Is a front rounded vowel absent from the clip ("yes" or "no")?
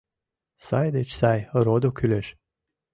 no